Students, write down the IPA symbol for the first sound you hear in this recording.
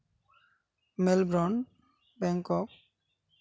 m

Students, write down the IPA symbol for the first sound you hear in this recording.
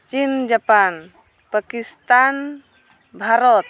t͡ʃ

